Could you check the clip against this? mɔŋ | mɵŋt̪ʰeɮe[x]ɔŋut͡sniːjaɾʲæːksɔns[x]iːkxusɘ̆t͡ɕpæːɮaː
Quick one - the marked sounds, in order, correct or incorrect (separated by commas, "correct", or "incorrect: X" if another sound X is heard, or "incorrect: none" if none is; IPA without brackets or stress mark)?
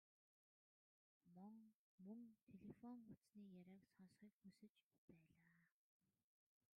incorrect: f, incorrect: χ